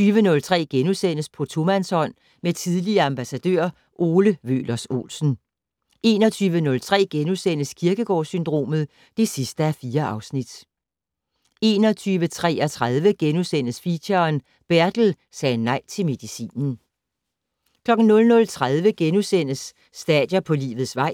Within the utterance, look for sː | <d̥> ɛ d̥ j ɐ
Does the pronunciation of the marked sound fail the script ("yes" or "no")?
no